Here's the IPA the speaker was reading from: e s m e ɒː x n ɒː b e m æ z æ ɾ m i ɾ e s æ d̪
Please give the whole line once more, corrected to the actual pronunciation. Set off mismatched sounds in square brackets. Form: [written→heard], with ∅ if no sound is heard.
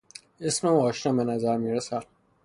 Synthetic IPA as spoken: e s m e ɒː [x→ʃ] n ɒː b e [m→n] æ z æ ɾ m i ɾ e s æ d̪